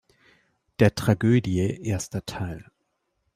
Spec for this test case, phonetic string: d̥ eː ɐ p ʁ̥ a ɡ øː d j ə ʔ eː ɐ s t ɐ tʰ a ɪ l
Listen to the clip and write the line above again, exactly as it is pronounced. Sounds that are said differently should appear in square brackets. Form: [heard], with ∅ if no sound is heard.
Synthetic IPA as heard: d̥ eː ɐ [t] ʁ̥ a ɡ øː d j ə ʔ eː ɐ s t ɐ tʰ a ɪ l